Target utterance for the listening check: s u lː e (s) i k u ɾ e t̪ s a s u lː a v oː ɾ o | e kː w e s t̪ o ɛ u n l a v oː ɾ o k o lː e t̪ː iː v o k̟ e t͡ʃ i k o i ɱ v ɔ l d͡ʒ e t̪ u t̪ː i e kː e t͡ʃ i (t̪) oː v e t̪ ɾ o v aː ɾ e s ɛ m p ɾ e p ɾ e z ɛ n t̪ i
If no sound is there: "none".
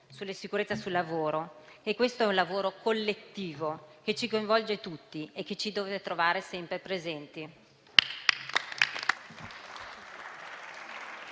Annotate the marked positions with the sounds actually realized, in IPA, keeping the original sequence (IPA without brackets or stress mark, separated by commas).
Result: s, d̪